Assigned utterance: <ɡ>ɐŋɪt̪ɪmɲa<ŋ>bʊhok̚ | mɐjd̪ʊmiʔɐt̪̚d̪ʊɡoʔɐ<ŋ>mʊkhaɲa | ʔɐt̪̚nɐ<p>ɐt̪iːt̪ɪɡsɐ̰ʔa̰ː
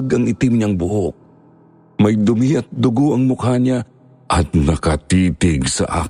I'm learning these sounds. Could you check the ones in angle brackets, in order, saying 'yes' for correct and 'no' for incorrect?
yes, yes, yes, no

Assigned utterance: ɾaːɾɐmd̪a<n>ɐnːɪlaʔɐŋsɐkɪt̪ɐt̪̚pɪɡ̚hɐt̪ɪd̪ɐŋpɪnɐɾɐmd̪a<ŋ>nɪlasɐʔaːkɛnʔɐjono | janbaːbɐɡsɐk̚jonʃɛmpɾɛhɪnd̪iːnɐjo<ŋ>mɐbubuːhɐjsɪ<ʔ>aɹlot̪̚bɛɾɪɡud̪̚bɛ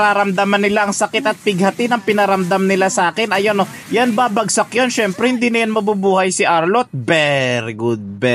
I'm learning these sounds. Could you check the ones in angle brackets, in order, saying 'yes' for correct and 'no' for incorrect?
no, no, no, yes

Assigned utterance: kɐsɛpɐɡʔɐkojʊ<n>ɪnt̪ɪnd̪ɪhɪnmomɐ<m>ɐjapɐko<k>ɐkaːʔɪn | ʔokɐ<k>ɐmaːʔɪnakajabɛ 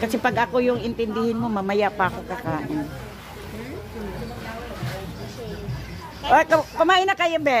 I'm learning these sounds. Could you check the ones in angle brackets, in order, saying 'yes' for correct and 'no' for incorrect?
no, yes, yes, no

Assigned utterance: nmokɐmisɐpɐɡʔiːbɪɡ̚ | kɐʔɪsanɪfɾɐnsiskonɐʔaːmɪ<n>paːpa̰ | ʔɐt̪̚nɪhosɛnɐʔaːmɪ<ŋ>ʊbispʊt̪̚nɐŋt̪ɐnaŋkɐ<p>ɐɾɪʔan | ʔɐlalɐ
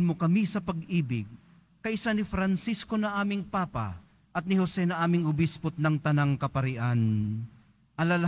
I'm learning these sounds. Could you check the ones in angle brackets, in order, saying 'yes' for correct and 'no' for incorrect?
no, yes, yes

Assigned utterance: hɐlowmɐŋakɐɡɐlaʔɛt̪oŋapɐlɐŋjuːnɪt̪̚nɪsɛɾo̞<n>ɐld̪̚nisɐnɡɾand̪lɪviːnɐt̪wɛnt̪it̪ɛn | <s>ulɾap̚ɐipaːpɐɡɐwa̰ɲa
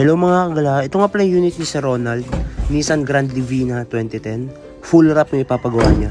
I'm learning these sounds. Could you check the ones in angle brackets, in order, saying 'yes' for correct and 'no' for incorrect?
yes, no

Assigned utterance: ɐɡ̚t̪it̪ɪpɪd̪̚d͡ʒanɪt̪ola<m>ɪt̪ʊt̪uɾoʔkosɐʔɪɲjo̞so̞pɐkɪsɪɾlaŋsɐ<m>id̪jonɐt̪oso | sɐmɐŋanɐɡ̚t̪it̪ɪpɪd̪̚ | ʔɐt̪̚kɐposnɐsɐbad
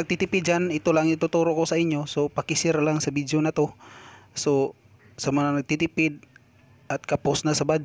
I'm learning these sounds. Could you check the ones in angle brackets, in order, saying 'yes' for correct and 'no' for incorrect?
no, no

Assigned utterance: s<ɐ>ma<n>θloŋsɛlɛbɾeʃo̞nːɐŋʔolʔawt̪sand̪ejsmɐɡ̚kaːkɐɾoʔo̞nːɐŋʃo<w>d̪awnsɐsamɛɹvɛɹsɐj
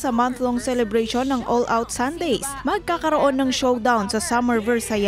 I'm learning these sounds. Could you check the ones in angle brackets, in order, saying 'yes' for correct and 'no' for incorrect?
yes, yes, yes

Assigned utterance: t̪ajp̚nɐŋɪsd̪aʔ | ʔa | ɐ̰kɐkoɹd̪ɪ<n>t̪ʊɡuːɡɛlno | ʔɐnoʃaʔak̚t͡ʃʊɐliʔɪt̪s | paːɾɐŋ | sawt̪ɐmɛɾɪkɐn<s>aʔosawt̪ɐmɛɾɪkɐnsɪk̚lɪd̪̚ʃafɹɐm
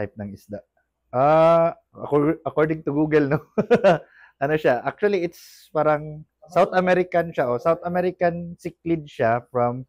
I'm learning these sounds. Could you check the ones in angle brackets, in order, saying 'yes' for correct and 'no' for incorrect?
no, no

